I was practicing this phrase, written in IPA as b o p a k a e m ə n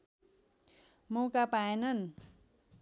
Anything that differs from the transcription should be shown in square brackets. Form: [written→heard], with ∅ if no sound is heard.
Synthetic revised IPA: [b→m] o [p→k] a [k→p] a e [m→n] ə n